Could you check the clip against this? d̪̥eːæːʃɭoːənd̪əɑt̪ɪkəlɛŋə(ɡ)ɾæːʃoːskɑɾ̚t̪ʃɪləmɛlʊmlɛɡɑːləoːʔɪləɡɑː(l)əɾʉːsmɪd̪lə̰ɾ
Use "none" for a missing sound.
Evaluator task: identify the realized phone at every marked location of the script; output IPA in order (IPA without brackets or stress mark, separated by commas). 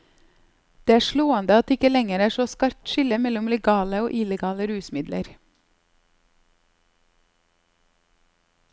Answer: none, l